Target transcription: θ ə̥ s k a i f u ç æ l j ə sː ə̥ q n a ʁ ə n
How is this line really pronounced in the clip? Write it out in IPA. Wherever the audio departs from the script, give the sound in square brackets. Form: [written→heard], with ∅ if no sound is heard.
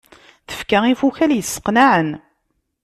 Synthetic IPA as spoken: θ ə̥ [s→f] k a i f u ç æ l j ə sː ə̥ q n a [ʁ→ʕ] ə n